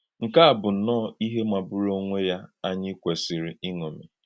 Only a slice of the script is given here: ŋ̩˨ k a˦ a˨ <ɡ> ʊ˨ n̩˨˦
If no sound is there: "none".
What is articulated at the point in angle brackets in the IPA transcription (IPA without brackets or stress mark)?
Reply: b